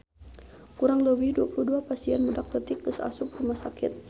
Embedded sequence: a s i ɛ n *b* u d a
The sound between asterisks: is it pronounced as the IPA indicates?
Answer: no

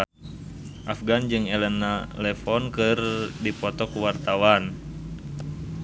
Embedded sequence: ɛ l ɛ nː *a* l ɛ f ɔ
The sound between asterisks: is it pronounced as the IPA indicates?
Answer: yes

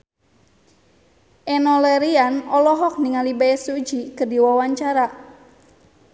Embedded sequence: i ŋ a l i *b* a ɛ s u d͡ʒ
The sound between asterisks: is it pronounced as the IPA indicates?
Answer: yes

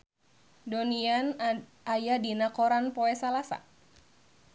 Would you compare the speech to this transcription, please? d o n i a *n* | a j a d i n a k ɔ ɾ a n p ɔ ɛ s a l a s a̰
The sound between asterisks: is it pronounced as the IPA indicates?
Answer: yes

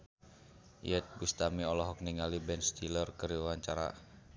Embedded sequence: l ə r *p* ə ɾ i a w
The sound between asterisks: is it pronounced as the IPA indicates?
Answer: no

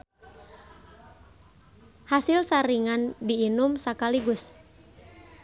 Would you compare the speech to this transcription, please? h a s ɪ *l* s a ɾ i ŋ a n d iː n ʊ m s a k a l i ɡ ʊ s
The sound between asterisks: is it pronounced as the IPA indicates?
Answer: yes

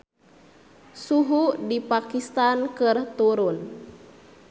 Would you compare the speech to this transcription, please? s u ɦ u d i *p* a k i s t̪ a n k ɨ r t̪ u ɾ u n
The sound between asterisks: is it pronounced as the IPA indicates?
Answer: yes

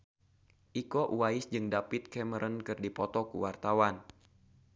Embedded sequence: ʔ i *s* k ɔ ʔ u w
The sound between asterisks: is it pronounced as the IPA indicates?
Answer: no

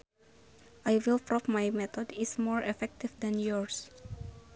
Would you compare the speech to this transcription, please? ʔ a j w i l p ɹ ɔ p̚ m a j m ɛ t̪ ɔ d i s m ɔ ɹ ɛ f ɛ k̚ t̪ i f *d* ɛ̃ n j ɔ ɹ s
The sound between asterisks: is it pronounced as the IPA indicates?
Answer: yes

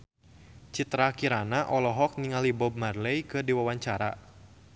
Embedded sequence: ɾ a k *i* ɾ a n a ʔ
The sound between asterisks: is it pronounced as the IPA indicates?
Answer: yes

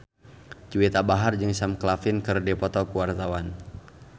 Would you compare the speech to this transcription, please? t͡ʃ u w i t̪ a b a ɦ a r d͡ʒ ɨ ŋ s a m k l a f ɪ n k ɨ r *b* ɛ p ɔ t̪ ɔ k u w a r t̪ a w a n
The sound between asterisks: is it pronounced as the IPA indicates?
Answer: no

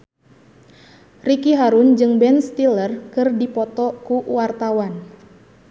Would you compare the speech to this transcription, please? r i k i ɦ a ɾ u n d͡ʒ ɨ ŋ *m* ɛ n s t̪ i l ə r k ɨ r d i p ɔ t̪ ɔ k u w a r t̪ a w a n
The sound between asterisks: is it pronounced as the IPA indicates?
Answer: no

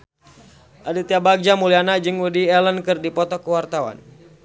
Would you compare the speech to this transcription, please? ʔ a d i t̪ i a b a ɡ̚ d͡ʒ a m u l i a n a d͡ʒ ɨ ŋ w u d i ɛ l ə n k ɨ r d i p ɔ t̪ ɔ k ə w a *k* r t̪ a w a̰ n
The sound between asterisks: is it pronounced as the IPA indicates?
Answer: no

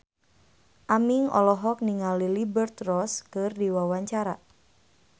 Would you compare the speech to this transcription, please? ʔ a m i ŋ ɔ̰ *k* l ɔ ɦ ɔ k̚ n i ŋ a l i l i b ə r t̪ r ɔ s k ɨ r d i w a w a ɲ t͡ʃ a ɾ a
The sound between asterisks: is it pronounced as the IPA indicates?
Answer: no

